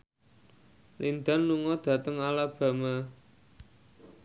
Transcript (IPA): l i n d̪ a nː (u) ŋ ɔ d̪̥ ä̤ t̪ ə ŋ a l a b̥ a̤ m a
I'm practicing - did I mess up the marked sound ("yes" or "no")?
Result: no